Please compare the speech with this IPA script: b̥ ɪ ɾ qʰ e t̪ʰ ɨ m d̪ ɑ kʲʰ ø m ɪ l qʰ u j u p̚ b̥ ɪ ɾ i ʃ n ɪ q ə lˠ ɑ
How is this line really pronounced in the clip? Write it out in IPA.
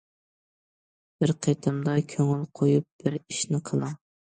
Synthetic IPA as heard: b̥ ɪ ɾ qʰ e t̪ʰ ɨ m d̪ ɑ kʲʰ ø ŋ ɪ l qʰ o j u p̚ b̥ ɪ ɾ i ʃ n ɪ qʰ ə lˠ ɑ